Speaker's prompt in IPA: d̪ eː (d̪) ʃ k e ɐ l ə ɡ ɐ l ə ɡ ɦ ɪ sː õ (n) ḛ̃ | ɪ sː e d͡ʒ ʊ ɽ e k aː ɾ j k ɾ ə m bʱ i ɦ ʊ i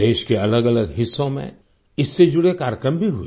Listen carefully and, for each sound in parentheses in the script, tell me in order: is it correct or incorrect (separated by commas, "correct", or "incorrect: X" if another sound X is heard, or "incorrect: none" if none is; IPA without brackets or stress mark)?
incorrect: none, incorrect: m